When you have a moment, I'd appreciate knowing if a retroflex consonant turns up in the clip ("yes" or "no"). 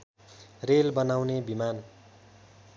no